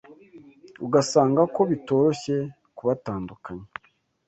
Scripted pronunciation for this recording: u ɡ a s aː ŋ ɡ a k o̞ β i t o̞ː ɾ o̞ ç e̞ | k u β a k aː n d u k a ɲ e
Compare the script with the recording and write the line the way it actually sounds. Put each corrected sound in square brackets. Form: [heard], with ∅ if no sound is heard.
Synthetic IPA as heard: u ɡ a s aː ŋ ɡ a k o̞ β i t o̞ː ɾ o̞ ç e̞ | k u β a [t] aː n d u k a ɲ e